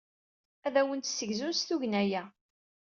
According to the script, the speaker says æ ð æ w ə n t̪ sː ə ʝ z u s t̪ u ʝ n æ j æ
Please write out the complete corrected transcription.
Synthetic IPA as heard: æ ð æ w ə n t̪ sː ə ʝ z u s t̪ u ʝ n æ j æ